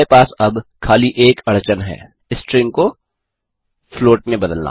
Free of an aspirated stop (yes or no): no